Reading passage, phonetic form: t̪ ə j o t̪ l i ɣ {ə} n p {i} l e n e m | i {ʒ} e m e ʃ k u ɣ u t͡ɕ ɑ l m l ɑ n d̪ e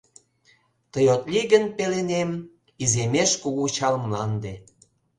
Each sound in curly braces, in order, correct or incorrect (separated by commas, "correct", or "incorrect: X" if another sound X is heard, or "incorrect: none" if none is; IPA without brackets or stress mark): correct, incorrect: e, incorrect: z